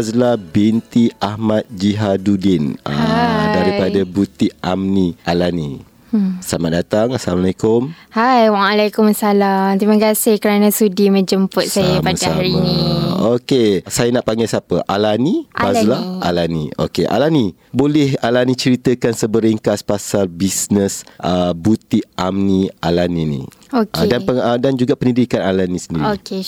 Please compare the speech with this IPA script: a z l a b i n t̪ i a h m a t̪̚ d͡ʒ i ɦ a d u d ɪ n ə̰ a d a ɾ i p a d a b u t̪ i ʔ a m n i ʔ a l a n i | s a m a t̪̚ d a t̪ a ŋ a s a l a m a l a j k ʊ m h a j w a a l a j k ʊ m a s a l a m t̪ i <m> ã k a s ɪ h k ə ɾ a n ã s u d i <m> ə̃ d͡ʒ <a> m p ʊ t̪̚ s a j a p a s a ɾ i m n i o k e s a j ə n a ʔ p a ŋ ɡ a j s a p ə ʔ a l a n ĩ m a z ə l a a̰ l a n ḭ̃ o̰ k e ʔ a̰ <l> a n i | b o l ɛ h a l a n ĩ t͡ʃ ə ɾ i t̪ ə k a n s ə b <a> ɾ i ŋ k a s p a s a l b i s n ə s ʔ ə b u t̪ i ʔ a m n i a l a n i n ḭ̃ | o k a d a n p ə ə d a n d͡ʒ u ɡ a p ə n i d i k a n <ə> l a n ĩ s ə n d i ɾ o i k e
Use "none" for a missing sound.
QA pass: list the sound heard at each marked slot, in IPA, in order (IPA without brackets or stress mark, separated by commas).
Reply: m, m, ə, l, ə, a